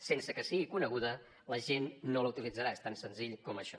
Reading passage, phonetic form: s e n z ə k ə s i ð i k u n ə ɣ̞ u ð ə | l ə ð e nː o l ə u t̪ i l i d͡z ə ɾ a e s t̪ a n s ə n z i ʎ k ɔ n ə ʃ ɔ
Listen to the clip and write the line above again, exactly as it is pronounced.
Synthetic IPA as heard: s e n s ə k ə s i ɣ i k u n ə ɣ̞ u ð ə | l ə ʒ e nː o l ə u t̪ i l i d͡z ə ɾ a e s t̪ a n s ə n z i ʎ k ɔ m ə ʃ ɔ